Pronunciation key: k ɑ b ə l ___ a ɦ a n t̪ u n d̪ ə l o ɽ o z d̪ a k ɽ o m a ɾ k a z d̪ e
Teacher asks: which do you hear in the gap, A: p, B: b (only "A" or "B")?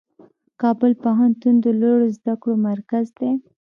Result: A